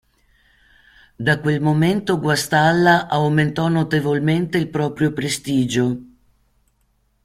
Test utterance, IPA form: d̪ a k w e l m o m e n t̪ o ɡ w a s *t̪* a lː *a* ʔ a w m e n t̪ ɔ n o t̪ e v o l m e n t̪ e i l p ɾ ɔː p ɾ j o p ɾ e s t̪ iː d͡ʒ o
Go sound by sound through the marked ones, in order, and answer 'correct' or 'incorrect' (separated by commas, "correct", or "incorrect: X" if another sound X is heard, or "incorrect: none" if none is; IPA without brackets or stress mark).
correct, correct